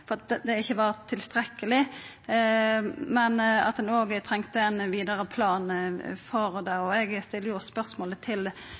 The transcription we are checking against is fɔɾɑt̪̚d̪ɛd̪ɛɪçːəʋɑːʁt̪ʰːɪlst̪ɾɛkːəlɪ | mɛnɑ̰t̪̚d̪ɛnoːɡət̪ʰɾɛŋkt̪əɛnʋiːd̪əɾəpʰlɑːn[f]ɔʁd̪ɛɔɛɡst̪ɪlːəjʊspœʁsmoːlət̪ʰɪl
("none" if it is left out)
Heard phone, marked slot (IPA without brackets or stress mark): f